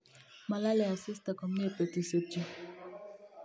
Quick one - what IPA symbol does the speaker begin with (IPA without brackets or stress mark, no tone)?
m